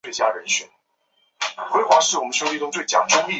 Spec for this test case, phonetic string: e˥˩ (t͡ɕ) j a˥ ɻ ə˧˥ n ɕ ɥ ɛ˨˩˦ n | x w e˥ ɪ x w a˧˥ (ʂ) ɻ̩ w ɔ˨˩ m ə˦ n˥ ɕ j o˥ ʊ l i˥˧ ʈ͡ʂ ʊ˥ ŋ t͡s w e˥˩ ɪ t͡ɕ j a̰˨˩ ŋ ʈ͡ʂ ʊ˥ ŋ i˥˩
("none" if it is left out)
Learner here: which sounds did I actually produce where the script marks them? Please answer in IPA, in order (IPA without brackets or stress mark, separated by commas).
t͡ɕ, ʂ